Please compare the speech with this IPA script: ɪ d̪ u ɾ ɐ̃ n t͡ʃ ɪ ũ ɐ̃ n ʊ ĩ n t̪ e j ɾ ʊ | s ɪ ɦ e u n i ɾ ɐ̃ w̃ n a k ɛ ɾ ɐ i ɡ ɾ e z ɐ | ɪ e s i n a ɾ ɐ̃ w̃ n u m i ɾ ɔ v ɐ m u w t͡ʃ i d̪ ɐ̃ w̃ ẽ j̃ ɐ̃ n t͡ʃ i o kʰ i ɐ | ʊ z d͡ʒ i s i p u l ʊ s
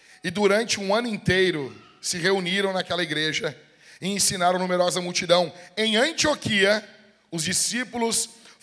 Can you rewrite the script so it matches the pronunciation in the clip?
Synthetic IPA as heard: ɪ d̪ u ɾ ɐ̃ n t͡ʃ ɪ ũ ɐ̃ n ʊ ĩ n t̪ e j ɾ ʊ | s ɪ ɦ e u n i ɾ ɐ̃ w̃ n a k ɛ l ɐ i ɡ ɾ e ʒ ɐ | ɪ ẽ s i n a ɾ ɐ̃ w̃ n u m e ɾ ɔ z ɐ m u w t͡ʃ i d̪ ɐ̃ w̃ ẽ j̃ ɐ̃ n t͡ʃ i o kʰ i ɐ | ʊ z d͡ʒ i s i p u l ʊ s